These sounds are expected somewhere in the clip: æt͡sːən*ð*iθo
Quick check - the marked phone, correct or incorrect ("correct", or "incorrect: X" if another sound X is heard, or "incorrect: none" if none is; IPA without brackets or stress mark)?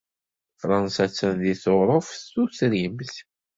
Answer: correct